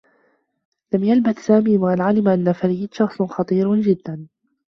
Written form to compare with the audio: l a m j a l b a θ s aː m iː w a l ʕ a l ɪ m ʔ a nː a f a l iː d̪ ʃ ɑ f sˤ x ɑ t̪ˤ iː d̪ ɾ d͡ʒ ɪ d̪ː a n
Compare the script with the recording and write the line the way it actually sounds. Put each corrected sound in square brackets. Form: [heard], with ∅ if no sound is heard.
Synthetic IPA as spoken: l a m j a l b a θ s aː m iː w a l ʕ a l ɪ m ʔ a nː a f a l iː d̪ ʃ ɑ [x] sˤ x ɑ t̪ˤ iː [∅] ɾ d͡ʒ ɪ d̪ː a n